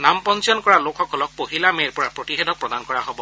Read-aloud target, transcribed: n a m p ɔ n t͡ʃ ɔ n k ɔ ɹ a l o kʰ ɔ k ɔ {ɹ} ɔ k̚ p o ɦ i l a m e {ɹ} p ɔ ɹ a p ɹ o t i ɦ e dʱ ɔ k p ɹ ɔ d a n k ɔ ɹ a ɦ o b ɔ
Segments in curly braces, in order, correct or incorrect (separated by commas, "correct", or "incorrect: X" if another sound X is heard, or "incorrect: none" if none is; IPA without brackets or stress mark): incorrect: l, correct